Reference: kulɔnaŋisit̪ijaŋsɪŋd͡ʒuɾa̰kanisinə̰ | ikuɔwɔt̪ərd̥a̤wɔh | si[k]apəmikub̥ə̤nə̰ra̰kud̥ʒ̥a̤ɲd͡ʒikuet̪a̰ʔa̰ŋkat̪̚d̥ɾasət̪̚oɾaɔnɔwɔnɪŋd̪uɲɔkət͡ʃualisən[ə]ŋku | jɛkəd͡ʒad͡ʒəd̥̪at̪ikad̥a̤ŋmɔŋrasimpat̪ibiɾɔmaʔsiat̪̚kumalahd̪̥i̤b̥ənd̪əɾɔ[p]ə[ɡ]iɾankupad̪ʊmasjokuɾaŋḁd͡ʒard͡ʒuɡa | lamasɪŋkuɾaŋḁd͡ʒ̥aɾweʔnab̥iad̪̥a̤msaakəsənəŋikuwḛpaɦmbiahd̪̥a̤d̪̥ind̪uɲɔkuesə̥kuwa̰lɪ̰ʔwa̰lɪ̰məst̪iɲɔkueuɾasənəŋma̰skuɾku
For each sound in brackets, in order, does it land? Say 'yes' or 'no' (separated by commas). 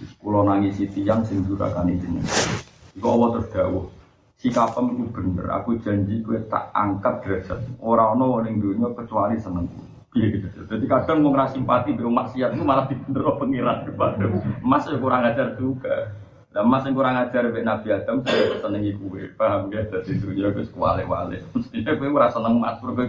yes, yes, yes, no